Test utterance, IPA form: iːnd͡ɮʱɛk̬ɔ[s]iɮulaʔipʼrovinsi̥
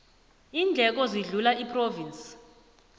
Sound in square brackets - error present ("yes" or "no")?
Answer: yes